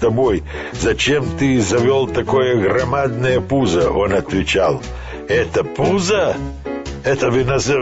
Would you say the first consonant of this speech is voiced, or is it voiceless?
voiceless